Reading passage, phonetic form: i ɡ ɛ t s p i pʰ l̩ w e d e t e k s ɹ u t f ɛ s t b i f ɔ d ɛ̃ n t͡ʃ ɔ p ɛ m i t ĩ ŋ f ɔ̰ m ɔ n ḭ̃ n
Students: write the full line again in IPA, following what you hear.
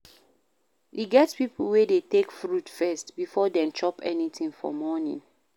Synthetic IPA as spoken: i ɡ ɛ t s p i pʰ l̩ w e d e t e k f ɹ u t f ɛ s t b i f ɔ d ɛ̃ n t͡ʃ ɔ p ɛ n i t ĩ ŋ f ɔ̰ m ɔ n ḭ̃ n